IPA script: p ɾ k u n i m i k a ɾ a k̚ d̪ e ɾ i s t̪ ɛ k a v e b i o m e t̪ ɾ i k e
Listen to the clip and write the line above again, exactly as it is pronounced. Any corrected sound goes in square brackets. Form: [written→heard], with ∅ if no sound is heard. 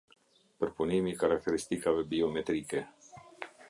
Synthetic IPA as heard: p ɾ [k→p] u n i m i k a ɾ a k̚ [d̪→t̪] e ɾ i s t̪ [ɛ→i] k a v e b i o m e t̪ ɾ i k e